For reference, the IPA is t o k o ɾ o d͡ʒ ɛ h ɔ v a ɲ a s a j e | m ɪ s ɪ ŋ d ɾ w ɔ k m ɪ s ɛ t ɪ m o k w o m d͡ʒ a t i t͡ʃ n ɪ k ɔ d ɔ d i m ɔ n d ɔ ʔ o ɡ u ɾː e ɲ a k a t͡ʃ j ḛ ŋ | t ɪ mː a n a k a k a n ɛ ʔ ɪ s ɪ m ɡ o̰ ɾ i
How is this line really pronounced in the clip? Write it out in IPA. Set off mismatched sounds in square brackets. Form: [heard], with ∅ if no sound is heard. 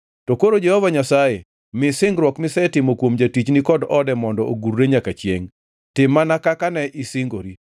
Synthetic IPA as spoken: t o k o ɾ o d͡ʒ ɛ h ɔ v a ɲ a s a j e | m ɪ s ɪ ŋ [ɡ] ɾ w ɔ k m ɪ s ɛ t ɪ m o k w o m d͡ʒ a t i t͡ʃ n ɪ k ɔ d ɔ d [ɛ] m ɔ n d ɔ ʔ o ɡ u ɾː e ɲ a k a t͡ʃ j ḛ ŋ | t ɪ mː a n a k a k a n ɛ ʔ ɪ s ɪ [ŋ] ɡ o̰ ɾ i